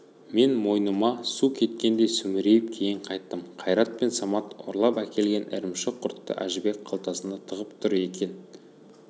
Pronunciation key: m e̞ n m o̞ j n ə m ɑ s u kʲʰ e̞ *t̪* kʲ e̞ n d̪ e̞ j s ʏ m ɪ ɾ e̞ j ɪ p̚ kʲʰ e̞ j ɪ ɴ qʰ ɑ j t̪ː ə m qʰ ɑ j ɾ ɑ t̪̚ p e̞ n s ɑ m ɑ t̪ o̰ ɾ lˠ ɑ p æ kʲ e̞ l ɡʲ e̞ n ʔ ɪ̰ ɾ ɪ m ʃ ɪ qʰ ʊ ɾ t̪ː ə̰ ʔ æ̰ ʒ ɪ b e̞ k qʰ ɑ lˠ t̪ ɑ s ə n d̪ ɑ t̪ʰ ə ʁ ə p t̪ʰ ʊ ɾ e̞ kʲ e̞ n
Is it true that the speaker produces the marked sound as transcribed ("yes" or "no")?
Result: yes